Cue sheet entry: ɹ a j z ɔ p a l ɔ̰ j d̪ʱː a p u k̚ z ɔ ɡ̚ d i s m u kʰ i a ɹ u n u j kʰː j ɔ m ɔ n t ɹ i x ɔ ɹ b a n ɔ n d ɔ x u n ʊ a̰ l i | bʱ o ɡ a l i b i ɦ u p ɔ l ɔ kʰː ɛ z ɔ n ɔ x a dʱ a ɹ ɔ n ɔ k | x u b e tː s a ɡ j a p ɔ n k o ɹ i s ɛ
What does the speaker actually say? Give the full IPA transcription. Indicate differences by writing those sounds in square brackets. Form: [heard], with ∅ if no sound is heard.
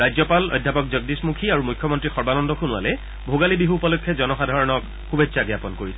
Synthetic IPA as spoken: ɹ a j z ɔ p a l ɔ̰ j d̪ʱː a p [ɔ] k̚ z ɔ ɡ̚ d i s m u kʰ i a ɹ u [m] u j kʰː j ɔ m ɔ n t ɹ i x ɔ ɹ b a n ɔ n d ɔ x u n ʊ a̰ l [ɛ] | bʱ o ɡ a l i b i ɦ u p ɔ l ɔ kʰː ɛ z ɔ n ɔ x a dʱ a ɹ ɔ n ɔ k | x u b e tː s a ɡ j a p ɔ n k o ɹ i s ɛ